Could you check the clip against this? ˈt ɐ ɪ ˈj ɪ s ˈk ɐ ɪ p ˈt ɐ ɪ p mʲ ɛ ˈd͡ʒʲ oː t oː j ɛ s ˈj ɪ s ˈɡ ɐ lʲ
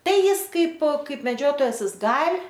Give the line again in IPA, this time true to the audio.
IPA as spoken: ˈt ɐ ɪ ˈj ɪ s ˈk ɐ ɪ p ˈk ɐ ɪ p mʲ ɛ ˈd͡ʒʲ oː t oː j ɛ s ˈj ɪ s ˈɡ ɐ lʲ

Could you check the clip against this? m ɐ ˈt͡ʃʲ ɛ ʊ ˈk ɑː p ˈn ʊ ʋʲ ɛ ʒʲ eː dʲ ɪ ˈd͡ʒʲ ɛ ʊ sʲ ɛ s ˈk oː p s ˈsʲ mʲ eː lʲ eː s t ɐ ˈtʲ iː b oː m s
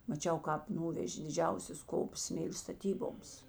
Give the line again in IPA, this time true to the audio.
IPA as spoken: m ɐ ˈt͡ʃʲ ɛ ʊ ˈk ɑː p ˈn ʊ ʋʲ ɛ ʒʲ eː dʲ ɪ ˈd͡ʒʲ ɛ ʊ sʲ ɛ s ˈk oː p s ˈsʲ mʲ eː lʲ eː s t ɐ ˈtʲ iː b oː m s

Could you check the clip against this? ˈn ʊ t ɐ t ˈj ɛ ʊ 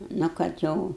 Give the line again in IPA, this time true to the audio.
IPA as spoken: ˈn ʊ k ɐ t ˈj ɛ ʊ

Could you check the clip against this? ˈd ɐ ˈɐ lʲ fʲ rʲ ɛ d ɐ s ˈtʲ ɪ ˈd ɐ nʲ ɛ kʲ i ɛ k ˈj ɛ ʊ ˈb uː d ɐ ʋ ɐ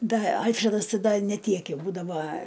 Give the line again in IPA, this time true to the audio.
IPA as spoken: ˈd ɐ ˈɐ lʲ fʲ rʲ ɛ d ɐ s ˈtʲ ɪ ˈd ɐ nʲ ɛ tʲ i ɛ k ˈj ɛ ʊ ˈb uː d ɐ ʋ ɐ

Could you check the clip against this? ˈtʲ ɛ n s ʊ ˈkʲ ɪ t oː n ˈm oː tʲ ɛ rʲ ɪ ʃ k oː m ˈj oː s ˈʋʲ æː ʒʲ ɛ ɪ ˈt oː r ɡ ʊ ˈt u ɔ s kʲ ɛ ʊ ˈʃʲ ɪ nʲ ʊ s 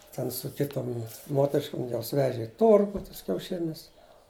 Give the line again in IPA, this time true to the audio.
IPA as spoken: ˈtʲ ɛ n s ʊ ˈkʲ ɪ t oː m ˈm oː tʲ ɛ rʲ ɪ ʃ k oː m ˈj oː s ˈʋʲ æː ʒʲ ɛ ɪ ˈt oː r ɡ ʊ ˈt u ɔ s kʲ ɛ ʊ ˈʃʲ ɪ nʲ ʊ s

